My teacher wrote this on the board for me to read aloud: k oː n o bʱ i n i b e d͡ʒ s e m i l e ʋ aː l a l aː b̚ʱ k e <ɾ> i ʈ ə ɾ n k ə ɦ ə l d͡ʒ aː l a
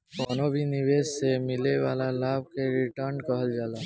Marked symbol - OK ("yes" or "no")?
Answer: yes